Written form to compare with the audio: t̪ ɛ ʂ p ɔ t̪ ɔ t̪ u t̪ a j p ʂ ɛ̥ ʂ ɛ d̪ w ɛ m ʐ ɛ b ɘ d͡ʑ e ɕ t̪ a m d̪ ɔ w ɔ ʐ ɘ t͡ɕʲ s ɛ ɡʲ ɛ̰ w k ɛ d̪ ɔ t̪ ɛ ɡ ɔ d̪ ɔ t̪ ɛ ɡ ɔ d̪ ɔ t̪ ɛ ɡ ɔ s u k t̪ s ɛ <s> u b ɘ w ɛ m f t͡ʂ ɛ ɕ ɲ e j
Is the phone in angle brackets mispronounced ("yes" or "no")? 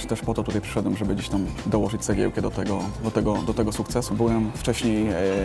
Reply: no